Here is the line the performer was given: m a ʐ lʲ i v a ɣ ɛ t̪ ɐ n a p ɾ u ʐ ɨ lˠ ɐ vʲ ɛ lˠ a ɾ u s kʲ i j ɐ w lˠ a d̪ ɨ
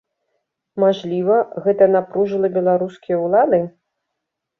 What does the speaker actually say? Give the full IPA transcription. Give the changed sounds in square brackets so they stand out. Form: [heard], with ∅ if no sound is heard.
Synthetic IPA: m a ʐ lʲ i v [ɐ] ɣ ɛ t̪ ɐ n a p ɾ u ʐ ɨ lˠ ɐ [bʲ] ɛ lˠ a ɾ u s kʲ i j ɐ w lˠ a d̪ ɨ